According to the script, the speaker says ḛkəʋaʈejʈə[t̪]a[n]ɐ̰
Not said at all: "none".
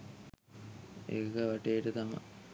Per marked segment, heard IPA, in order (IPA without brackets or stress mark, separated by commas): t̪, m